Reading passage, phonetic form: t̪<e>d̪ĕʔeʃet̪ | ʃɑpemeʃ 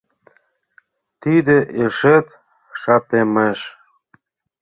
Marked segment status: incorrect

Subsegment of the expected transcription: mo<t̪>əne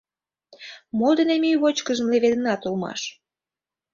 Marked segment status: incorrect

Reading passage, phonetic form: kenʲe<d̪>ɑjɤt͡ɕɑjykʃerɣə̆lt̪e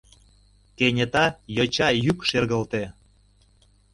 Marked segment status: incorrect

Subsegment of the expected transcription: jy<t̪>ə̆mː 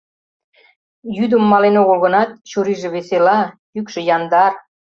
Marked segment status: incorrect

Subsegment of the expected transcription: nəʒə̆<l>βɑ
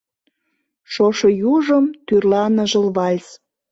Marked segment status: correct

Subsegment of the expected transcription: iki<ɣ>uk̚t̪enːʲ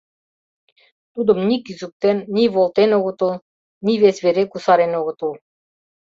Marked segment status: incorrect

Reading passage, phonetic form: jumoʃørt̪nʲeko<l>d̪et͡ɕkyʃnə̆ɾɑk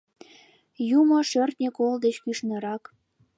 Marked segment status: correct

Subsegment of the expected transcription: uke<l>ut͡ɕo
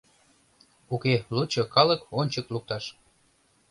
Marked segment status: correct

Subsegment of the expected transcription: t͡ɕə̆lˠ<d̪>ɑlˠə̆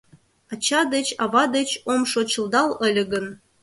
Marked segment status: correct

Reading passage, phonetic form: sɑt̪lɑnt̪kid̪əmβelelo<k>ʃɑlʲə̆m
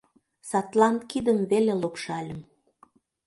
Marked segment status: incorrect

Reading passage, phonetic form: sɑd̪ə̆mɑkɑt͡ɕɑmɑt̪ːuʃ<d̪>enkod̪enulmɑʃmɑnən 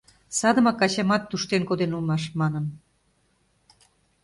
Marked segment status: incorrect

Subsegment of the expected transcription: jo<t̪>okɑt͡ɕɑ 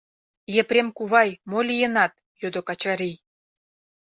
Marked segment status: incorrect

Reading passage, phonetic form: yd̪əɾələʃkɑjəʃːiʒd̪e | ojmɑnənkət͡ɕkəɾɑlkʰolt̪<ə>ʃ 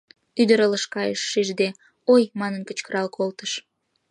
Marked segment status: correct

